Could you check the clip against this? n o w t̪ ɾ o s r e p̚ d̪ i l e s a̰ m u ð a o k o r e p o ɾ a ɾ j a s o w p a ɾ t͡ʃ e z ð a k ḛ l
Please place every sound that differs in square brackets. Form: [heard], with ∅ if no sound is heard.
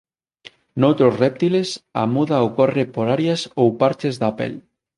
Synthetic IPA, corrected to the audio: n o w t̪ ɾ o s r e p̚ [t̪] i l e s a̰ m u ð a o k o r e p o ɾ a ɾ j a s o w p a ɾ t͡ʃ e z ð a [p] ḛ l